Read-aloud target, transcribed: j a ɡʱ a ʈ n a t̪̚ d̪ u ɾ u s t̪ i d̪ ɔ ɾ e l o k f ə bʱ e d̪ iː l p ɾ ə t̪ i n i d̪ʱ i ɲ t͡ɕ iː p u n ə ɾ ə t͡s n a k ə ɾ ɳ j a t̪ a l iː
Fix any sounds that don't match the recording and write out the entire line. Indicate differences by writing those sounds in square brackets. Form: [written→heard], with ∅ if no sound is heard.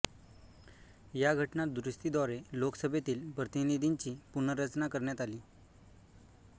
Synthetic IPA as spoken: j a ɡʱ [a→ə] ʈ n a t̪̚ d̪ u ɾ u s t̪ i d̪ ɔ ɾ e l o k [f→s] ə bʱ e [d̪→t̪] iː l p ɾ ə t̪ i n i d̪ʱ i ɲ t͡ɕ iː p u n ə ɾ ə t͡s n a k ə ɾ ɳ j a t̪ a l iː